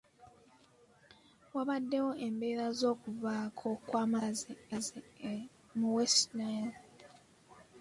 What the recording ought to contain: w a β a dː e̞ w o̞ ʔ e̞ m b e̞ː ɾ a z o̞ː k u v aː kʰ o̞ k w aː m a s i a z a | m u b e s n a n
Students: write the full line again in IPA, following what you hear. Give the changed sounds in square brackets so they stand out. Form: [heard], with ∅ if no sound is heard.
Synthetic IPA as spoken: w a β a dː e̞ w o̞ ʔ e̞ m b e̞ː ɾ a z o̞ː k u v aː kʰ o̞ k w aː m a [z] i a z [i] | m u [w] e s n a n